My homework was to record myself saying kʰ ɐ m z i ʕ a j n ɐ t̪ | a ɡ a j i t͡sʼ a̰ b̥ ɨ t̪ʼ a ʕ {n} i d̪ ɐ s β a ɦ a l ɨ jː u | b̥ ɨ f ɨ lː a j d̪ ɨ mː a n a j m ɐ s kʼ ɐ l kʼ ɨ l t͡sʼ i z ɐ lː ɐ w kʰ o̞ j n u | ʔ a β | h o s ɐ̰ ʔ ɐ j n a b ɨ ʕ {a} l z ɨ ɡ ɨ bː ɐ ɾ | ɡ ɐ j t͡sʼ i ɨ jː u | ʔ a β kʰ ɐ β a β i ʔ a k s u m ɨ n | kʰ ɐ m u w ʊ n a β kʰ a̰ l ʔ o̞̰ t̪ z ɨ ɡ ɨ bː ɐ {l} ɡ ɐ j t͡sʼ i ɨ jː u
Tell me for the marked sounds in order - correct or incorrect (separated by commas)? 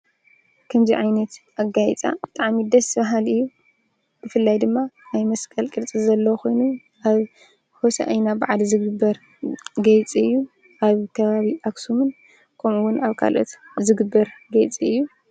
incorrect, correct, incorrect